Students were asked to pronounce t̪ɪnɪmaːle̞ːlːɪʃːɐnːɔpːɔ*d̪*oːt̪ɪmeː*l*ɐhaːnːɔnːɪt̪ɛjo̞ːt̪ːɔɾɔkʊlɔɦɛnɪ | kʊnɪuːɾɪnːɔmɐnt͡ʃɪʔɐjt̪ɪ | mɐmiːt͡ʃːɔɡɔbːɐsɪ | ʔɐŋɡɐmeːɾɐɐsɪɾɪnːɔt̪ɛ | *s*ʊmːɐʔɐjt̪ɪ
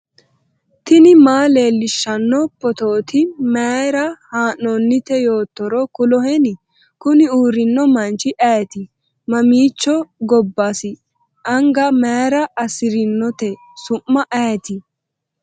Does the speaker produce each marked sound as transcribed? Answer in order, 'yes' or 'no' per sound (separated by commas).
no, no, yes